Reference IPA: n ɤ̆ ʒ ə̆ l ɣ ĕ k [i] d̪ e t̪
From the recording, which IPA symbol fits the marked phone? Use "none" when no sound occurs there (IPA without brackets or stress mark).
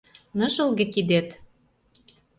i